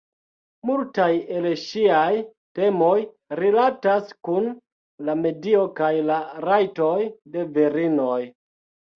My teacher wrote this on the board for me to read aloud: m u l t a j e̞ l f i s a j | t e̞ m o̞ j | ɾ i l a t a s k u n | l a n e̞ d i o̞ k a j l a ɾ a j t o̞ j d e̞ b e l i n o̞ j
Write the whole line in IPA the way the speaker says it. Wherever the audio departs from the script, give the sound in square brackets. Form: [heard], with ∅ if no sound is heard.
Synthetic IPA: m u l t a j e̞ l [ʃ] i [∅] a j | t e̞ m o̞ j | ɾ i l a t a s k u n | l a [m] e̞ d i o̞ k a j l a ɾ a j t o̞ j d e̞ [v] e [ɾ] i n o̞ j